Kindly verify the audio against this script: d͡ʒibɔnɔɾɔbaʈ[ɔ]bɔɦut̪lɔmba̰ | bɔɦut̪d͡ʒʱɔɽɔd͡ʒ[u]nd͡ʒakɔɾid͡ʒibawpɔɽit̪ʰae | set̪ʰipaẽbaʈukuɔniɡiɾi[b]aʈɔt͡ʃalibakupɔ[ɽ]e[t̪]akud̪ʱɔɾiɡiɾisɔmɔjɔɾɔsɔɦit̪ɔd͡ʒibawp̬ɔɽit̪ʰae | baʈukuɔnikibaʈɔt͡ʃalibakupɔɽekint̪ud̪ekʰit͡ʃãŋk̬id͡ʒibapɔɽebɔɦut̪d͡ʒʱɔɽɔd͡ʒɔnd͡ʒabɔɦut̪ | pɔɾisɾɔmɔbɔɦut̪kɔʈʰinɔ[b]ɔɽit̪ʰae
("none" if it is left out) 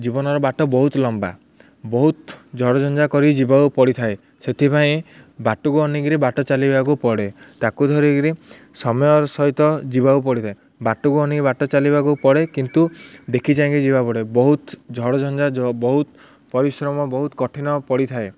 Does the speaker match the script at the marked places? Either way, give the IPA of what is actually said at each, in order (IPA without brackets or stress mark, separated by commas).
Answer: ɔ, ɔ, b, ɽ, t̪, p